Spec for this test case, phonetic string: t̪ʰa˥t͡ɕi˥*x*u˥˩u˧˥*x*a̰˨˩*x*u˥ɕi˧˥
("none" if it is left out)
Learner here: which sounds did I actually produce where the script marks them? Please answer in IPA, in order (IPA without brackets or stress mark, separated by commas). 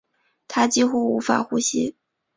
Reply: x, f, x